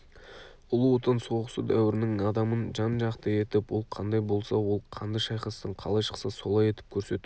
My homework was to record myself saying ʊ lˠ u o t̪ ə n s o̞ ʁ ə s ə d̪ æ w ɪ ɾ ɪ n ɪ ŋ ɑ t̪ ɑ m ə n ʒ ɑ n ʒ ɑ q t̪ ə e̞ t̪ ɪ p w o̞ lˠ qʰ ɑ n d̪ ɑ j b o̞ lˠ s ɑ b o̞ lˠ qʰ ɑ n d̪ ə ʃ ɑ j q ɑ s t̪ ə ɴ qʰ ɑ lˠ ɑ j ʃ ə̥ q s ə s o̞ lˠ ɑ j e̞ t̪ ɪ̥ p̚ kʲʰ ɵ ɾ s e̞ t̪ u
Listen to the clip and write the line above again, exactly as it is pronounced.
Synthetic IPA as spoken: ʊ lˠ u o t̪ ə n s o̞ ʁ ə s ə d̪ æ w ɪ ɾ ɪ n ɪ ŋ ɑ d̪ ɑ m ə n ʒ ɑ n ʒ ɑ q t̪ ə e̞ t̪ ɪ p w o̞ lˠ qʰ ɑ n d̪ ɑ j b o̞ lˠ s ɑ w o̞ lˠ qʰ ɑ n d̪ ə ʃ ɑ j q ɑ s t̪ ə ɴ qʰ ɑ lˠ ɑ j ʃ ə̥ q s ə s o̞ lˠ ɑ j e̞ t̪ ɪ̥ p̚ kʲʰ ɵ ɾ s e̞ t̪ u